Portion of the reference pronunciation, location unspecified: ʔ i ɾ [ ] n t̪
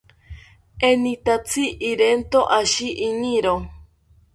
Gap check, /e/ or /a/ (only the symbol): e